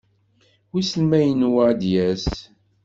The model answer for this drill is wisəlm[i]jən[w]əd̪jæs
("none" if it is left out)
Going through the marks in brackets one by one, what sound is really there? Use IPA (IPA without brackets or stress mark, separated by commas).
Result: æ, w